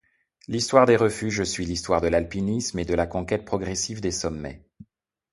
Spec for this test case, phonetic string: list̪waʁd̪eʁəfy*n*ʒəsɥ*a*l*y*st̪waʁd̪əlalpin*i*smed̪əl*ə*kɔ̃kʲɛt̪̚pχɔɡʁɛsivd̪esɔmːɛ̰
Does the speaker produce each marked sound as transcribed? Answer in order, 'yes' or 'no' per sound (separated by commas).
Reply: no, no, no, yes, no